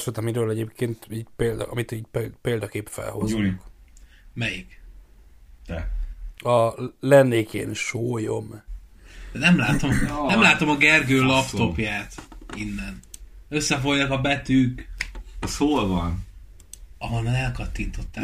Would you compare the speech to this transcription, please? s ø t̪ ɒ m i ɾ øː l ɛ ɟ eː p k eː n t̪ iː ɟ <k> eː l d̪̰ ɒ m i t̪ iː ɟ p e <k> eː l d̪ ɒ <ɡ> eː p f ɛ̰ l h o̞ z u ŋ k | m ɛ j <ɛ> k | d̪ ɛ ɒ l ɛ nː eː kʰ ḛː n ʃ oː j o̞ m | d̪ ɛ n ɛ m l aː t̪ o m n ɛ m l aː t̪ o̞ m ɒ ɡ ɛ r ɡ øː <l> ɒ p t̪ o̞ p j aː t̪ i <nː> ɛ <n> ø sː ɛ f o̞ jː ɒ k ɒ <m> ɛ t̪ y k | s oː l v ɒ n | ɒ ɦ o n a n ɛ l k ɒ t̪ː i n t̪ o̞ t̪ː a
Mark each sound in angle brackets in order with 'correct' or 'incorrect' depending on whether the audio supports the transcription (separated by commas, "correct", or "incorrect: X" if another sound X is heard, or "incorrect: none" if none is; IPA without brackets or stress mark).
incorrect: p, incorrect: p, incorrect: k, incorrect: i, correct, correct, correct, incorrect: b